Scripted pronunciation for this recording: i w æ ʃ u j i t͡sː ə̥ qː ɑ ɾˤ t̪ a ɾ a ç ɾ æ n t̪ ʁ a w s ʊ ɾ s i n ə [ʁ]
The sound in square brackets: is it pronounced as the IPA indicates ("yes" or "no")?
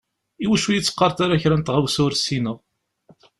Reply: yes